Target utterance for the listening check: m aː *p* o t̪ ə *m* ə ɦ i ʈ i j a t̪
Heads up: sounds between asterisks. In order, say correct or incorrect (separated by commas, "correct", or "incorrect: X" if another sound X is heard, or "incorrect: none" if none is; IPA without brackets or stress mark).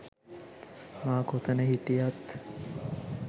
incorrect: k, incorrect: n